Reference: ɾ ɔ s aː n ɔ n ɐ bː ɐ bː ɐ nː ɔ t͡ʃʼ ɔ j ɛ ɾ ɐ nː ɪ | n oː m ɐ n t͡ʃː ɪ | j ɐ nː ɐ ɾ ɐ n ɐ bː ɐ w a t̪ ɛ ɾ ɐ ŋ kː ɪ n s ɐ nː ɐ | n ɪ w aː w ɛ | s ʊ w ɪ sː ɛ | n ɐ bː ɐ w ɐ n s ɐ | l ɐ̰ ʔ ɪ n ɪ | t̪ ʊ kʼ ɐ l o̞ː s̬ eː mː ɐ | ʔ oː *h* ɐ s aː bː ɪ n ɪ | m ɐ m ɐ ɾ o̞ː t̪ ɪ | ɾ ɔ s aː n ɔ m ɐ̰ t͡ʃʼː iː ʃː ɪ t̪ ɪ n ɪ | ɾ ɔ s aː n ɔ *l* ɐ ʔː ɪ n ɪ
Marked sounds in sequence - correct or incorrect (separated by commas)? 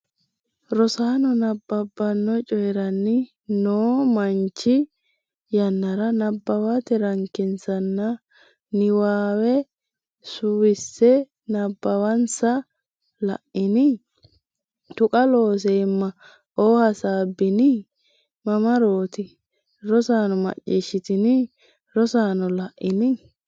correct, correct